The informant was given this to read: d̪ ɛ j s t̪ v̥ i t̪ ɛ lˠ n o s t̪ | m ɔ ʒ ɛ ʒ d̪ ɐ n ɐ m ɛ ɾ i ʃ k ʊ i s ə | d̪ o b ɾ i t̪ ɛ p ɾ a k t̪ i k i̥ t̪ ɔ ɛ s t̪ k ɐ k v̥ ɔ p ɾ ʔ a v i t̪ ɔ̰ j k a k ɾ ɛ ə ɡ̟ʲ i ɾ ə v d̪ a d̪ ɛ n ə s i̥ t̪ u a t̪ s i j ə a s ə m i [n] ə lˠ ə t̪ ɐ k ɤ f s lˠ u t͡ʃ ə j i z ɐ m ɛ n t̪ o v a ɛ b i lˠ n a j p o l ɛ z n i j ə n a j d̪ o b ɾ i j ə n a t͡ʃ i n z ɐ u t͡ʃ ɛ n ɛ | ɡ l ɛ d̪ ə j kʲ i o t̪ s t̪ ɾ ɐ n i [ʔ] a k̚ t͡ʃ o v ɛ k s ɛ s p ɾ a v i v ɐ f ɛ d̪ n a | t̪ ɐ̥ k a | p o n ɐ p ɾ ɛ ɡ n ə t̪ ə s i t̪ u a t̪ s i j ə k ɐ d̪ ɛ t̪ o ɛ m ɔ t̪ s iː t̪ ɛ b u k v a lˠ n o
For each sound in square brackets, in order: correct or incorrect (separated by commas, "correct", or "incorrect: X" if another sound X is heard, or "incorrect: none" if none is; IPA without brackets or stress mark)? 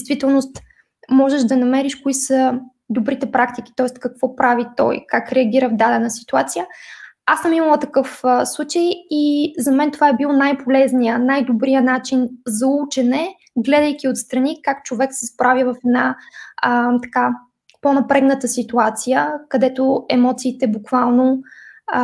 incorrect: m, incorrect: k